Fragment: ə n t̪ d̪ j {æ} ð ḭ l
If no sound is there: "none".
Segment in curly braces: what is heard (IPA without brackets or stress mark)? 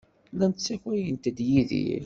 i